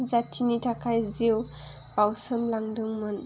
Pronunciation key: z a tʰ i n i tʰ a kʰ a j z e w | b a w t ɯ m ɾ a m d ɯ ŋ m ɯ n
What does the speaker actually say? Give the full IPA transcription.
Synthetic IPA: z a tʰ i n i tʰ a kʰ a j z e w | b a w s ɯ m l a ŋ d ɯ ŋ m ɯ n